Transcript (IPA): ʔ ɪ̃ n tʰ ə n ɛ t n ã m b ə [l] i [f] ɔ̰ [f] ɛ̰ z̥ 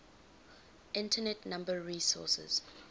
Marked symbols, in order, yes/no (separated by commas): no, no, no